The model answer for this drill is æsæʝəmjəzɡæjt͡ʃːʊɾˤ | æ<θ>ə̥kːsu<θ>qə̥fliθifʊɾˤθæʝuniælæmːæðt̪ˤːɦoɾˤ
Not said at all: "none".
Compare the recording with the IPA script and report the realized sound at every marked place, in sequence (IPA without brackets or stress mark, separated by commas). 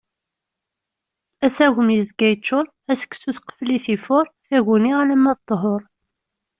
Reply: s, θ